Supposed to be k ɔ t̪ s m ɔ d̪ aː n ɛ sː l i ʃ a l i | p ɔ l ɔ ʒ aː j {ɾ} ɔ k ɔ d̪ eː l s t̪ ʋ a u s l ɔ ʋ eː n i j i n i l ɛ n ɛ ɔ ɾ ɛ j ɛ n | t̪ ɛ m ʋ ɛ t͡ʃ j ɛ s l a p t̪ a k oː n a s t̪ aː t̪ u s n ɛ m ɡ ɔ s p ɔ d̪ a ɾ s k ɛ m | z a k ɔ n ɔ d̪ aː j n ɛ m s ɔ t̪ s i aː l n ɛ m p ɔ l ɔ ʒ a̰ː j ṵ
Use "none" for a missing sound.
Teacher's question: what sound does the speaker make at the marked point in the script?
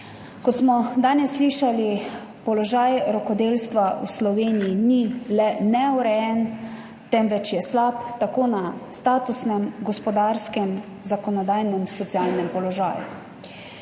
ɾ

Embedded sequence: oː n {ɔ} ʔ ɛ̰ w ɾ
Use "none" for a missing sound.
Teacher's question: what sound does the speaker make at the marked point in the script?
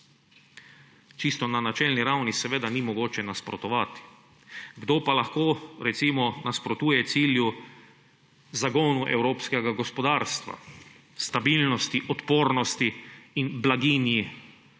u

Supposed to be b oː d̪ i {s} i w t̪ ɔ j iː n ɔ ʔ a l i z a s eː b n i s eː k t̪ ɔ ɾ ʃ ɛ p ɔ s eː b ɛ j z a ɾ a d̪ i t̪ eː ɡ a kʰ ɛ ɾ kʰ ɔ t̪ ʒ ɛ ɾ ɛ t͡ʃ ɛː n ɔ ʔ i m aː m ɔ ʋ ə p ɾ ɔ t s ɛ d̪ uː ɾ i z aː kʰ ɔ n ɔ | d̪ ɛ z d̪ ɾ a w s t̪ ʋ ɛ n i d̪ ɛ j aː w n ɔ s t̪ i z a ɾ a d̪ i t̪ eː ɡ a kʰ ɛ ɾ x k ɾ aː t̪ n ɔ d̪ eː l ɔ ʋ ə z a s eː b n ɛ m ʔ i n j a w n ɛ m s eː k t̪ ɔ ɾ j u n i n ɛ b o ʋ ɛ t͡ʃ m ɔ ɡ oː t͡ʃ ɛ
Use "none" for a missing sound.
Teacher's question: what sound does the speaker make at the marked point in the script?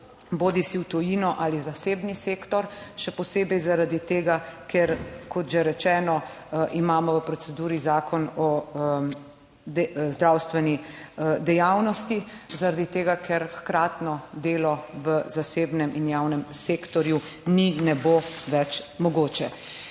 s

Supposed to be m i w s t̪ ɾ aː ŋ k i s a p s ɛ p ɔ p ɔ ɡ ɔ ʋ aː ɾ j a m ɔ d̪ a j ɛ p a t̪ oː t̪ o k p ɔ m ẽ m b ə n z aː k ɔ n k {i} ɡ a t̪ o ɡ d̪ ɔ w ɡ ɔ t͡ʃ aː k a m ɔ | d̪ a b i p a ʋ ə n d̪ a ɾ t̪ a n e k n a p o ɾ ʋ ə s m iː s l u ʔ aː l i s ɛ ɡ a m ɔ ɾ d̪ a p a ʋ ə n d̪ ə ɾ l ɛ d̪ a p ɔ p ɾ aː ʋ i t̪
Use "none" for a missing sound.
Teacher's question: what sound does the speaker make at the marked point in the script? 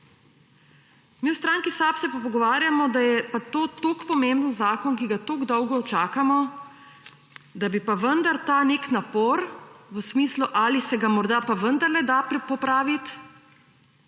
i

